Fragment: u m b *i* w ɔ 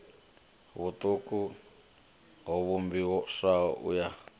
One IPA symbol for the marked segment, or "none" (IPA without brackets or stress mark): i